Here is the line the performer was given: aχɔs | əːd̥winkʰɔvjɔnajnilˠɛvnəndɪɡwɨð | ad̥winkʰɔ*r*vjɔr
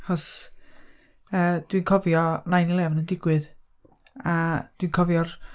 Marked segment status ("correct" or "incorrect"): incorrect